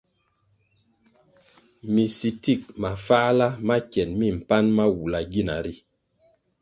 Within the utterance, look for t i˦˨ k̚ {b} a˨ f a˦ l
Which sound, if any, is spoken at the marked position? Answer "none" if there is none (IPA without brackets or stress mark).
m